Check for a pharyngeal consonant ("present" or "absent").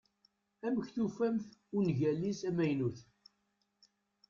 absent